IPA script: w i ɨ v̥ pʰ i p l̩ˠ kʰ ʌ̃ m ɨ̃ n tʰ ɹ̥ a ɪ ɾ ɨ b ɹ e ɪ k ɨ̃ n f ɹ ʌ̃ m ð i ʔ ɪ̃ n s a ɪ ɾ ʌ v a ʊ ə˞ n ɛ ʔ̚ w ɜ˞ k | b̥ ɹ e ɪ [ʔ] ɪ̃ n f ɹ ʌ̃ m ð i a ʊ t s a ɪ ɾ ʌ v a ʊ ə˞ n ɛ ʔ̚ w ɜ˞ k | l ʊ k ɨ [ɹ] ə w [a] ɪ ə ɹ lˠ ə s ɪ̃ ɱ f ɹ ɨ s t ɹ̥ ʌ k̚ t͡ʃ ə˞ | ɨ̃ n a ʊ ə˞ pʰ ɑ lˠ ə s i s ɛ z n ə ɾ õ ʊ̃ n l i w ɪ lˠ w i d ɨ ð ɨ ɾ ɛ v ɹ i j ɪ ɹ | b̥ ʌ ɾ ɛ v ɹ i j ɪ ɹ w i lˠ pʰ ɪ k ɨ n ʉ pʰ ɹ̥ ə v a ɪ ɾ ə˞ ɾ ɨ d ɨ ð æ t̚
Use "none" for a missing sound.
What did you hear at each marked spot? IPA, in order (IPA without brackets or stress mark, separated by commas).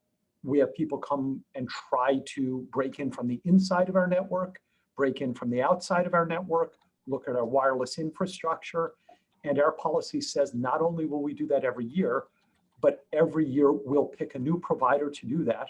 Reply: k, ɾ, a